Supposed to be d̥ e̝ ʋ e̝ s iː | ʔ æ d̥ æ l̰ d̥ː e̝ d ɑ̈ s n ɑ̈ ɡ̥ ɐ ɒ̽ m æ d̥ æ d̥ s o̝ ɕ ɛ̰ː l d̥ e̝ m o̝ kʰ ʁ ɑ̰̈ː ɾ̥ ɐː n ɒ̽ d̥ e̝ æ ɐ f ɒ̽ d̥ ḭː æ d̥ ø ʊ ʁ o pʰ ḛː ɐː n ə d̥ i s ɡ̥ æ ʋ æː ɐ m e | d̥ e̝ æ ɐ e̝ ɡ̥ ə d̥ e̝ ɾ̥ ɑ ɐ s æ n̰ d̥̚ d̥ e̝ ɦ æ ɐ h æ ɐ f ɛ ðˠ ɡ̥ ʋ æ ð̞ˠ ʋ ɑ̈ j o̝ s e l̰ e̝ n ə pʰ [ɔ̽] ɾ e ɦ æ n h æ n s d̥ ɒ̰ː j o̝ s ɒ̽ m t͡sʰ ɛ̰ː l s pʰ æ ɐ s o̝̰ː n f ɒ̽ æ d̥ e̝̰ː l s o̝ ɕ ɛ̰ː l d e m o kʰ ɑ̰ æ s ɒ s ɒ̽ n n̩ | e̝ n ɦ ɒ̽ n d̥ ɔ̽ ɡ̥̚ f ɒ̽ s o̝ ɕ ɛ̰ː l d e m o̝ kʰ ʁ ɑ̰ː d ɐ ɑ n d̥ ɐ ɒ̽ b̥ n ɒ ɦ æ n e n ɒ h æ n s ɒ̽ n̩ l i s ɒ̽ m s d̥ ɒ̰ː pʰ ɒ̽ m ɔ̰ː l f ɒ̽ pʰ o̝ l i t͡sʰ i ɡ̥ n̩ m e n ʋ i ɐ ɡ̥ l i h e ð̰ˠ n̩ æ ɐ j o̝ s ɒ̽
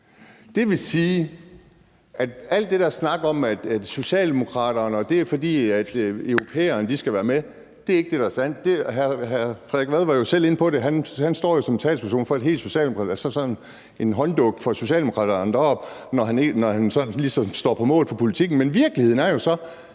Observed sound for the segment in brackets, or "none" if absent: ɒ̽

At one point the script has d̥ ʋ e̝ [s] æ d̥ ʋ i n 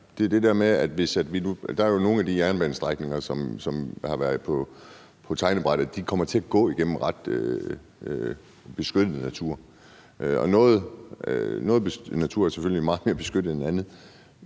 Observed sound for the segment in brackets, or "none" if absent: s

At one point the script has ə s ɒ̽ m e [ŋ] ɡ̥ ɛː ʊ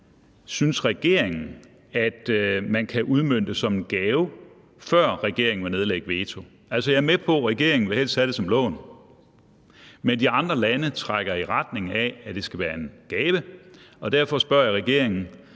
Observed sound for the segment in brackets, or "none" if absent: n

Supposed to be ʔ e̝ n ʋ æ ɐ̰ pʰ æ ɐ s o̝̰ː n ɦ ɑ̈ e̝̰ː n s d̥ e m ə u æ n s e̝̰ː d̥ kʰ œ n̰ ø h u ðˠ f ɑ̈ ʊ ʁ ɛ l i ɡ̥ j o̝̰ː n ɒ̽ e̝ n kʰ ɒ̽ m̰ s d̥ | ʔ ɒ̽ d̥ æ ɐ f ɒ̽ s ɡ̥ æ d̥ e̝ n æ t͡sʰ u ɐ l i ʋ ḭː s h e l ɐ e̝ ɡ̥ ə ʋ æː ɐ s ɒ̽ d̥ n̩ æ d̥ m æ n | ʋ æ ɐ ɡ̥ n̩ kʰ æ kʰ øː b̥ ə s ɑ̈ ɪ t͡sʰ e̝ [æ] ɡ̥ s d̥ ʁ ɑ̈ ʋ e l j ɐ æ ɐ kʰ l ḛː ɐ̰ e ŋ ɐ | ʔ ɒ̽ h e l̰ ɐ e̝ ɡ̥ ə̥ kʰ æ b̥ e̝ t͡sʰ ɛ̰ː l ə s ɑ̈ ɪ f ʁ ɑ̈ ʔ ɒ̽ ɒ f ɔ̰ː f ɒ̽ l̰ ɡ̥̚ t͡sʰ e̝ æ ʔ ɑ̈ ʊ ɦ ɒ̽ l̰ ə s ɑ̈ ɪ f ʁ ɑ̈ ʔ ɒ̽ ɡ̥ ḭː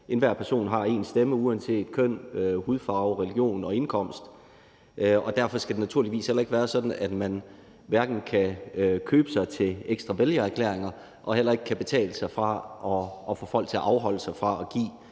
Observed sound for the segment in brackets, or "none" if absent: e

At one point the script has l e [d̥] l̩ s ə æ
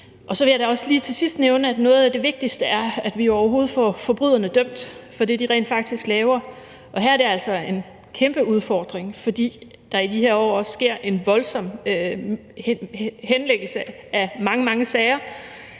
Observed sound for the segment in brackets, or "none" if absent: ɡ̥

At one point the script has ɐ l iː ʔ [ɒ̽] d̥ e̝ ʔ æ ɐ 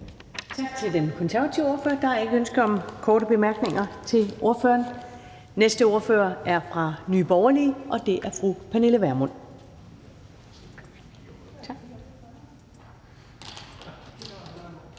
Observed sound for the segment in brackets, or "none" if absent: ɒ̽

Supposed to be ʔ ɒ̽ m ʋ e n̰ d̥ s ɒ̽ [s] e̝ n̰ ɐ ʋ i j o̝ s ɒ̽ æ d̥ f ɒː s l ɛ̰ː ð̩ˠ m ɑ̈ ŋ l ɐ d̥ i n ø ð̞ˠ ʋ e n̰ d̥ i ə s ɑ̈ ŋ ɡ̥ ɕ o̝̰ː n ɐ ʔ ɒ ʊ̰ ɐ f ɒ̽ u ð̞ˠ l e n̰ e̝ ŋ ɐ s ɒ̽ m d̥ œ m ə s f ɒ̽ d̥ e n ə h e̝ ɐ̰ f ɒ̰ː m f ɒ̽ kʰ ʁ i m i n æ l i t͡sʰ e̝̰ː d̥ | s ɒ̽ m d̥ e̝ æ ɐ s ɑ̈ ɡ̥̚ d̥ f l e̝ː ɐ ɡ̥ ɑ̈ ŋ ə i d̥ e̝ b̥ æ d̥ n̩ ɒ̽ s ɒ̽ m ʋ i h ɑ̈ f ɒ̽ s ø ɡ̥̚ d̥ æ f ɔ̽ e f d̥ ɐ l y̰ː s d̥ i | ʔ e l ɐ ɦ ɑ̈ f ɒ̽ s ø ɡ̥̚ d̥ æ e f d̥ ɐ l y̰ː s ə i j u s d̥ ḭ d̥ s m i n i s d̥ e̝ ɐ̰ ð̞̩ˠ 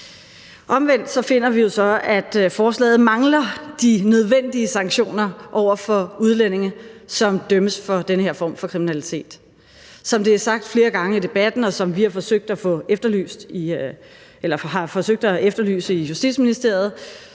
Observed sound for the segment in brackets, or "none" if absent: f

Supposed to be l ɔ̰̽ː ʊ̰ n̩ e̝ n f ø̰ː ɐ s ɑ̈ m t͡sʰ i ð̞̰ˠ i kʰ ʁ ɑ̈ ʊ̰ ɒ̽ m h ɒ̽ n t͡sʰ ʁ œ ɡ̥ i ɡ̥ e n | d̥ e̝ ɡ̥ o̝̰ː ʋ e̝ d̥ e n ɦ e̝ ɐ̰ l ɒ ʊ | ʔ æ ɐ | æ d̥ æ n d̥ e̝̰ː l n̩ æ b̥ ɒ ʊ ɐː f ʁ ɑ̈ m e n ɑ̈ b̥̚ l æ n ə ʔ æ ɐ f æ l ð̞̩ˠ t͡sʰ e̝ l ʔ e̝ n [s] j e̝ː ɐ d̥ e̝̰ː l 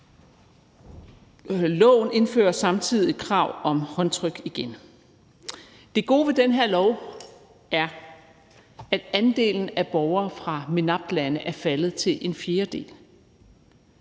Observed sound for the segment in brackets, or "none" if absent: f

